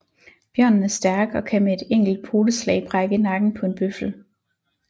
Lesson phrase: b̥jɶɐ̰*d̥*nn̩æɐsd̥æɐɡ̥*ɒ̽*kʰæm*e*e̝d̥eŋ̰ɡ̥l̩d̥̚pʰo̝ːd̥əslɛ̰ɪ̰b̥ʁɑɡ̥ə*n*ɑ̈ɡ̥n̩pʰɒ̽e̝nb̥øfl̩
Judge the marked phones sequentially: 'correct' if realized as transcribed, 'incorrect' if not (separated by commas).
incorrect, correct, correct, correct